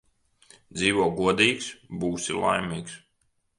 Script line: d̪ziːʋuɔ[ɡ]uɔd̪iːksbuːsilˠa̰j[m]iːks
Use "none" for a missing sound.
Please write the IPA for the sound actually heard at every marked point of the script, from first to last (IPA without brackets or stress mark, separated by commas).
ɡ, m